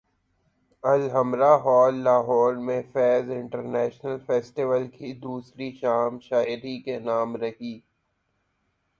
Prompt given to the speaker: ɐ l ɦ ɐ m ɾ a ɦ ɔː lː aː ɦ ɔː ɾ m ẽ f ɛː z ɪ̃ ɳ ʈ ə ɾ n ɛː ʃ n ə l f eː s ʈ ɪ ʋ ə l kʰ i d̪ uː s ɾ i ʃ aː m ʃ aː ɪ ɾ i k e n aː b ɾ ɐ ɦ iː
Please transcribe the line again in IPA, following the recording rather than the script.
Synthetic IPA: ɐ l ɦ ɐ m ɾ a ɦ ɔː lː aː ɦ ɔː ɾ m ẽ f ɛː z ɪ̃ ɳ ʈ ə ɾ n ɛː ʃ n ə l f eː s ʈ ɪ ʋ ə l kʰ i d̪ uː s ɾ i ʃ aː m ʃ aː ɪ ɾ i k e n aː m ɾ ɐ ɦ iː

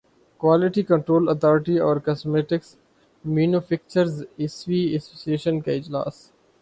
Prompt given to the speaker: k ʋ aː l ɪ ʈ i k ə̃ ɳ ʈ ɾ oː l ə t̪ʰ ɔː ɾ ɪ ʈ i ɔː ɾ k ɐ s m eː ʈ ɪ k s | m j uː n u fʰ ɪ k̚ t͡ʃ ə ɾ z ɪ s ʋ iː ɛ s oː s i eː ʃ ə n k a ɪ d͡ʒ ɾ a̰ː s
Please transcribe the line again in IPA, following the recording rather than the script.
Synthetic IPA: k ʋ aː l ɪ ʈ i k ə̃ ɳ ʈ ɾ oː l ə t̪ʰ ɔː ɾ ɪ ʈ i ɔː ɾ k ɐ s m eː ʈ ɪ k s | m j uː n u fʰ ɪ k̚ t͡ʃ ə ɾ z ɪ s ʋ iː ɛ s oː s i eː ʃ ə n k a ɪ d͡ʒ l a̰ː s

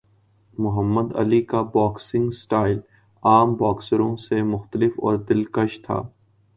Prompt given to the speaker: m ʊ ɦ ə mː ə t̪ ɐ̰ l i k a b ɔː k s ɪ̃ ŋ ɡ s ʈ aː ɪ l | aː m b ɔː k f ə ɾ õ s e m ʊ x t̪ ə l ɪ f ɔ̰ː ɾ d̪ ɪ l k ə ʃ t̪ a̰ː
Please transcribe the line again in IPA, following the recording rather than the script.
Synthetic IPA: m ʊ ɦ ə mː ə d̪ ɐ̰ l i k a b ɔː k s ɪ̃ ŋ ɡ s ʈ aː ɪ l | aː m b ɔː k s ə ɾ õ s e m ʊ x t̪ ə l ɪ f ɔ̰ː ɾ d̪ ɪ l k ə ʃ t̪ʰ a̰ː

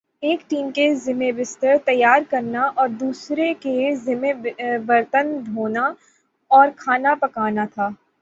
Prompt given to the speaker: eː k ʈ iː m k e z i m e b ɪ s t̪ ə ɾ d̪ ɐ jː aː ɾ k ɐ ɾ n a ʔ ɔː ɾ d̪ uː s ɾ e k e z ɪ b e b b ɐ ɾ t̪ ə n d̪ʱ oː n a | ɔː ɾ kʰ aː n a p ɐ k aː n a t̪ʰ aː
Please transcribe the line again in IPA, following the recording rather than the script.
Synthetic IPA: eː k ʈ iː m k e z ɪ m e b ɪ s t̪ ə ɾ t̪ ɐ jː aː ɾ k ɐ ɾ n a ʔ ɔː ɾ d̪ uː s ɾ e k e z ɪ m e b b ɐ ɾ t̪ ə n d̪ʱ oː n a | ɔː ɾ kʰ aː n a p ɐ k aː n a t̪ʰ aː

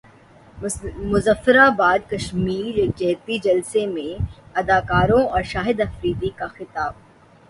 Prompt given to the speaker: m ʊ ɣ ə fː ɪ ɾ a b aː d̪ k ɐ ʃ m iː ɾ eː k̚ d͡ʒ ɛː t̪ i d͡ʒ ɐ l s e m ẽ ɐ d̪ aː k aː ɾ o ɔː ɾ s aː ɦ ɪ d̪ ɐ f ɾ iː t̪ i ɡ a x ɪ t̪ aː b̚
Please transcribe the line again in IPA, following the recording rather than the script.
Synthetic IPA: m ʊ z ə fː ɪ ɾ a b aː d̪ k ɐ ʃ m iː ɾ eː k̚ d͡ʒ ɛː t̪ i d͡ʒ ɐ l s e m ẽ ɐ d̪ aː k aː ɾ õ ɔː ɾ ʃ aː ɦ ɪ d̪ ɐ f ɾ iː d̪ i k a x ɪ t̪ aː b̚

